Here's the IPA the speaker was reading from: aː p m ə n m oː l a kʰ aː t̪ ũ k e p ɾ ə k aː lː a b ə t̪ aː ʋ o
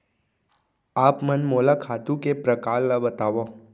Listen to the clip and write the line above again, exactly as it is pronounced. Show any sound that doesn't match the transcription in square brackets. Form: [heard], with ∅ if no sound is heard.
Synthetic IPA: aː p m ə n m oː l a kʰ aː t̪ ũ k e p ɾ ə k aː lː a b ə t̪ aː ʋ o